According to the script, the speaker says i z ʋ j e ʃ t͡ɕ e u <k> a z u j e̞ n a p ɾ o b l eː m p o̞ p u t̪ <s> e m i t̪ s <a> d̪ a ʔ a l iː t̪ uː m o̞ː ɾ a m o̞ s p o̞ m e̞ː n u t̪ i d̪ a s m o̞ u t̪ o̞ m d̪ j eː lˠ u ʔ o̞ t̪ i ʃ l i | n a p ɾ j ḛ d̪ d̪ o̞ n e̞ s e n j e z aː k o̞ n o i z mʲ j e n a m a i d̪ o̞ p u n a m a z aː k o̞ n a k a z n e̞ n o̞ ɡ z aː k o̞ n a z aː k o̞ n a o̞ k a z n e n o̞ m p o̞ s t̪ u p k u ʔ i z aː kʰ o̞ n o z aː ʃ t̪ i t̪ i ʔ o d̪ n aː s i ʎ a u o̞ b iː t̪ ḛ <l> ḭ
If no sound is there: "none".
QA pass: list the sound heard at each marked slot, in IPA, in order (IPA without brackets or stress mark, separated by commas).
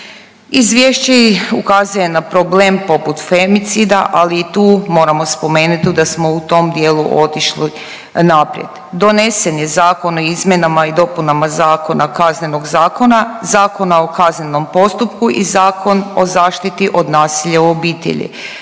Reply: k, f, i, ʎ